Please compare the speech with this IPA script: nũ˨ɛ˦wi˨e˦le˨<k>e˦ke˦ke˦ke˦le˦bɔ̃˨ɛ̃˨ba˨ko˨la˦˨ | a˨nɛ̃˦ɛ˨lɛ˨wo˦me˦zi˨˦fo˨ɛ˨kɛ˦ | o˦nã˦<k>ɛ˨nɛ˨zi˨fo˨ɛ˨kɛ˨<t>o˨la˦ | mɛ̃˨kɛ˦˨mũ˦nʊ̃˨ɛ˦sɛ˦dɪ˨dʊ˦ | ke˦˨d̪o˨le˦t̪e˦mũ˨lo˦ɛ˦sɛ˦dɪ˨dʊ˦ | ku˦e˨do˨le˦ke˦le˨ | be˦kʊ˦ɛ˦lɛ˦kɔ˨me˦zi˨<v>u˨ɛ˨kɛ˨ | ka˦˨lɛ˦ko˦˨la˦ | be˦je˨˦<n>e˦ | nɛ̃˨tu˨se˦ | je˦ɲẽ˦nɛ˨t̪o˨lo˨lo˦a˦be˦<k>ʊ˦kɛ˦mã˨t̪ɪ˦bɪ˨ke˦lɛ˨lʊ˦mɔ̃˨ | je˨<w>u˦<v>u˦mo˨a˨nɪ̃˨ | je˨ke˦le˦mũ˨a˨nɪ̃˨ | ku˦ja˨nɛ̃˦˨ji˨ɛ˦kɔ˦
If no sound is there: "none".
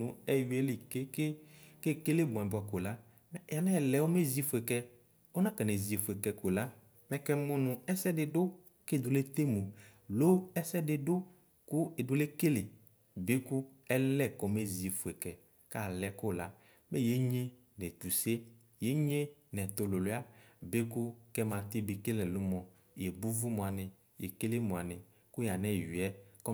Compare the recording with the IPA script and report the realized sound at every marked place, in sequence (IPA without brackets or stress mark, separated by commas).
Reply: k, k, k, f, ɲ, k, b, v